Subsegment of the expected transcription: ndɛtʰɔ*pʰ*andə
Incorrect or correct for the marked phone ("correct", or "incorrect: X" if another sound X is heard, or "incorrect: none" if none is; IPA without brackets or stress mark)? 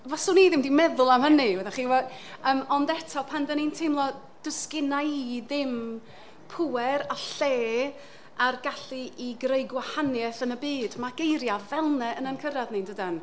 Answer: correct